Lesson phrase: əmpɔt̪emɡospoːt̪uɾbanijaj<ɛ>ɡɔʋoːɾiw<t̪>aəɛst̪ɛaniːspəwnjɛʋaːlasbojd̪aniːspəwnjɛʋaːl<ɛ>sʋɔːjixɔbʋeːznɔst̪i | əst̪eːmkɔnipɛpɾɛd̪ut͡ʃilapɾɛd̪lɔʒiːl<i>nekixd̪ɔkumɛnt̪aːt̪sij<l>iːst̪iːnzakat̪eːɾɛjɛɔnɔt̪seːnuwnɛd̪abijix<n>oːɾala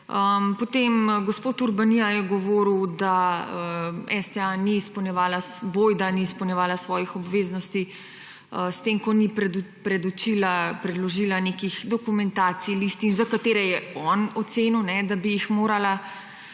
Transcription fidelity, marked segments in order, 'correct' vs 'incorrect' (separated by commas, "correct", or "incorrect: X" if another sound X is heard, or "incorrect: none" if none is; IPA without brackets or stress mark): correct, incorrect: d̪, incorrect: a, incorrect: a, correct, incorrect: m